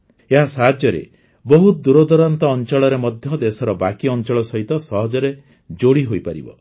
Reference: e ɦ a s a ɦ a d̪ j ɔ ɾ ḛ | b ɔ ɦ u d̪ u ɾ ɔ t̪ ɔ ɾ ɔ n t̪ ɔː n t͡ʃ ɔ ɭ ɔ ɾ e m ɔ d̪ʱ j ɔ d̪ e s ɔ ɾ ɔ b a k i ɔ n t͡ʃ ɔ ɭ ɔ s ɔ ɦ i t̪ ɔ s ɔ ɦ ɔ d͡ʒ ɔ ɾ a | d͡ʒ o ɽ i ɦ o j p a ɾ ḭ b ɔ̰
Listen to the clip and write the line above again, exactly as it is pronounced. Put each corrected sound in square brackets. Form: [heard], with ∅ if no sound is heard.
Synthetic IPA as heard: e ɦ a s a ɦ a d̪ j ɔ ɾ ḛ | b ɔ ɦ u d̪ u ɾ ɔ [d̪] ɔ ɾ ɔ n t̪ ɔː n t͡ʃ ɔ ɭ ɔ ɾ e m ɔ d̪ʱ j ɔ d̪ e s ɔ ɾ ɔ b a k i ɔ n t͡ʃ ɔ ɭ ɔ s ɔ ɦ i t̪ ɔ s ɔ ɦ ɔ d͡ʒ ɔ ɾ [e] | d͡ʒ o ɽ i ɦ o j p a ɾ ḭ b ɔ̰